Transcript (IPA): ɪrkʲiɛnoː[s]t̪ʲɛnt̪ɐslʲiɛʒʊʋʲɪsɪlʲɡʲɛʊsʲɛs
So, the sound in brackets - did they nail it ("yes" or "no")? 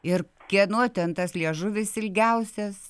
no